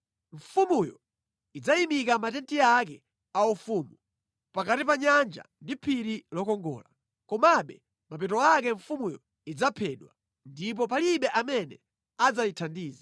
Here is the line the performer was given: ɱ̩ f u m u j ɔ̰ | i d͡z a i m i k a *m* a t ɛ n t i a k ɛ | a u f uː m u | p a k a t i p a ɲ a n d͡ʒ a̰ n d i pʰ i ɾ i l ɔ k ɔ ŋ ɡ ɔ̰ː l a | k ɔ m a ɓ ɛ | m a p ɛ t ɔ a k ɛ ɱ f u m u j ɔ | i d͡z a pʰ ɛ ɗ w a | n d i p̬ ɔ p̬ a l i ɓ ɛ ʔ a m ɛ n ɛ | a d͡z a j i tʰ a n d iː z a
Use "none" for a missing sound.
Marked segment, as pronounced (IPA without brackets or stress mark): m